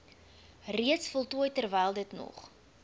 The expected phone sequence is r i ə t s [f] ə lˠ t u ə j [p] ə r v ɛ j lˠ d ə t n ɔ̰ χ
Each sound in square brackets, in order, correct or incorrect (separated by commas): correct, incorrect